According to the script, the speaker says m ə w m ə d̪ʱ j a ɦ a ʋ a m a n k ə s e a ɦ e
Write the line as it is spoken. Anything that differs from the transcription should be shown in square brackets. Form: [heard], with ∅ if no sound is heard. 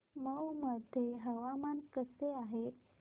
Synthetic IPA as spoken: m ə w m ə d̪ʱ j [e] ɦ [ə] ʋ a m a n k ə s e a ɦ e